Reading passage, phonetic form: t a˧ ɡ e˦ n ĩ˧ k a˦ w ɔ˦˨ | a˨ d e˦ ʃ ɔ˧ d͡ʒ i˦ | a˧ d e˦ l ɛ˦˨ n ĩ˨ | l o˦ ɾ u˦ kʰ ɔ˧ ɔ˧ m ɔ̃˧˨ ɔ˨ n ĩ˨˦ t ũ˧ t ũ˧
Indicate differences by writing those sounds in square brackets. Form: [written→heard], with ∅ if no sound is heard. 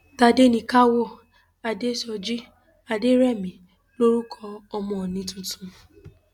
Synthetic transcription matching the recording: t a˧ [ɡ→d] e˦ n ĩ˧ k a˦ w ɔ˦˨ | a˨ d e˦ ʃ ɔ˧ d͡ʒ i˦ | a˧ d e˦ [l→ɾ] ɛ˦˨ [n→m] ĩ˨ | l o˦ ɾ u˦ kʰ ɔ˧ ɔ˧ m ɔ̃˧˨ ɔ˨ n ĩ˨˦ t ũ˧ t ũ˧

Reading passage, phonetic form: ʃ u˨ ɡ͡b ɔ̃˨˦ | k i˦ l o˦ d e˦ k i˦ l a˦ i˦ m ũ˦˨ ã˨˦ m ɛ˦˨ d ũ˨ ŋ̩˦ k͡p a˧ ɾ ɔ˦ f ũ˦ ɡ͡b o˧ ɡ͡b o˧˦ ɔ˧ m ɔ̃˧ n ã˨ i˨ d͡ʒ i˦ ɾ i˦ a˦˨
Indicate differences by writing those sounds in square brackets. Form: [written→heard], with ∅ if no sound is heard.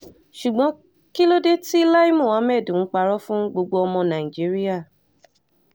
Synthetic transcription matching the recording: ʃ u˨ ɡ͡b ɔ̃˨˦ | k i˦ l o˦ d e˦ [k→t] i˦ l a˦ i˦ m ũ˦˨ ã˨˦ m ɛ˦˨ d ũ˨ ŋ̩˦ k͡p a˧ ɾ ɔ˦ f ũ˦ ɡ͡b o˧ ɡ͡b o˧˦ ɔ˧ m ɔ̃˧ n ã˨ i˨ d͡ʒ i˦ ɾ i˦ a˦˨

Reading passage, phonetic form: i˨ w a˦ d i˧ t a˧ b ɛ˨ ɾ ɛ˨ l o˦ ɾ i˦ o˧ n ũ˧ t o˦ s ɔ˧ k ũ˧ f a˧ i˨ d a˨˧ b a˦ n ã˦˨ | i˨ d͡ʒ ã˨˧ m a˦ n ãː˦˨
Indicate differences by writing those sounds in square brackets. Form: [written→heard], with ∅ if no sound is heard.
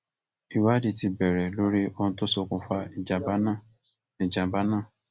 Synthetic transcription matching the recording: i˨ w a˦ d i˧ t [a˧→i˧] b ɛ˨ ɾ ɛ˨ l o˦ ɾ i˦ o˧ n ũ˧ t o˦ s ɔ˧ k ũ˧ f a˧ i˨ [d→d͡ʒ] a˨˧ b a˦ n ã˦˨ | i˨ d͡ʒ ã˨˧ [m→b] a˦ n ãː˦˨

